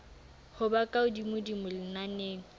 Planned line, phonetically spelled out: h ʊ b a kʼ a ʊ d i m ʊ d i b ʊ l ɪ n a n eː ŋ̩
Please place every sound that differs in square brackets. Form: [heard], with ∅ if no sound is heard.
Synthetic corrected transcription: h ʊ b a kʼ a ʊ d i m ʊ d i [m] ʊ l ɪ n a n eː ŋ̩